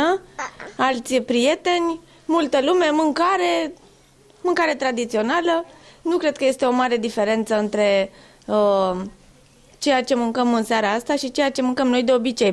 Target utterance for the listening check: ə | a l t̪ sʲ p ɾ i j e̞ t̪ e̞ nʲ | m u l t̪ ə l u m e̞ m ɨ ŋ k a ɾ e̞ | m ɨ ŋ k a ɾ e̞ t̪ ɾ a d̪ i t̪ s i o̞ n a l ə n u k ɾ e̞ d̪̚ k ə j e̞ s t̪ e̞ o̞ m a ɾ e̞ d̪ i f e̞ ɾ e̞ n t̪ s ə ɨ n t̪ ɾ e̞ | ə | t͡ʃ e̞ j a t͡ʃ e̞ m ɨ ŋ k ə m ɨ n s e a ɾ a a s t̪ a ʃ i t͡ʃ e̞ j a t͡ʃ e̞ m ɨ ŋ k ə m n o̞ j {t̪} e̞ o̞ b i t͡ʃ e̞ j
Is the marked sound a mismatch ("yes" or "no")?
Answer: yes